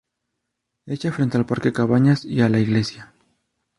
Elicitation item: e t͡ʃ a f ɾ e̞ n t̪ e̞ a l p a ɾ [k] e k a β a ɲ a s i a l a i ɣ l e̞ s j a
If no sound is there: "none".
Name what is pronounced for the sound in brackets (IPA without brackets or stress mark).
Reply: k